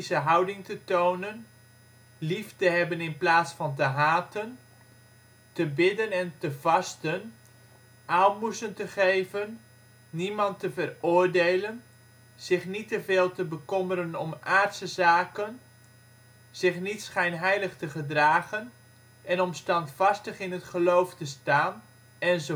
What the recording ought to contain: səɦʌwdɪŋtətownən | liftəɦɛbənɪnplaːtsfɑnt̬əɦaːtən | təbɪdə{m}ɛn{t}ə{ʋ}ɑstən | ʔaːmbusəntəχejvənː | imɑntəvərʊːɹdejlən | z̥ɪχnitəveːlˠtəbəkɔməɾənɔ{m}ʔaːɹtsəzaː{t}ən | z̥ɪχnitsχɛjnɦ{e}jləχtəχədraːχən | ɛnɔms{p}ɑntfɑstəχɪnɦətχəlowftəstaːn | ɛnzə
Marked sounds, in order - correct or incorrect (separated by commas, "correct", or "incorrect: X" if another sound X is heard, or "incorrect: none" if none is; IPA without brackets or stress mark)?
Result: incorrect: n, correct, incorrect: v, correct, incorrect: k, incorrect: ɛ, incorrect: t